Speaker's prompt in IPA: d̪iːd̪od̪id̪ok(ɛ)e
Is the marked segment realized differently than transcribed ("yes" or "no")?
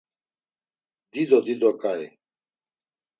yes